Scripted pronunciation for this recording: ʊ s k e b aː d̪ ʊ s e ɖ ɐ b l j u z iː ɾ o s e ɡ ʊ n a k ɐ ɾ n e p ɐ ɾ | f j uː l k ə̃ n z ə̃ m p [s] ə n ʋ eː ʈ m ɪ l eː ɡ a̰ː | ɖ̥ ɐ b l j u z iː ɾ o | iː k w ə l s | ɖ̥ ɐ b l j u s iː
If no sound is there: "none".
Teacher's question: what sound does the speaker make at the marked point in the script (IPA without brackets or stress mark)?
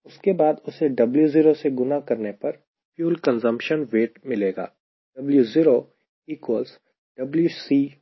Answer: ʃ